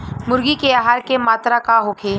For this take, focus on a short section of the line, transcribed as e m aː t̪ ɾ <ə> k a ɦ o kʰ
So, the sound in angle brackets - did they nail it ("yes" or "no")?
no